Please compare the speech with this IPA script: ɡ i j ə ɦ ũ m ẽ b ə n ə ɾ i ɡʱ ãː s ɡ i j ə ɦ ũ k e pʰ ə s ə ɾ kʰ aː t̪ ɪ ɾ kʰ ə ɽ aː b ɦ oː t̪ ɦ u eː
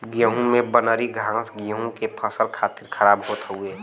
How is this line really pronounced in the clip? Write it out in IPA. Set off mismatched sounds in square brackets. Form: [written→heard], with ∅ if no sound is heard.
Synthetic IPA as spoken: ɡ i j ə ɦ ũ m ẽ b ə n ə ɾ i ɡʱ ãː s ɡ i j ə ɦ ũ k e pʰ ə s ə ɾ kʰ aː t̪ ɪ ɾ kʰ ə [ɽ→ɾ] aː b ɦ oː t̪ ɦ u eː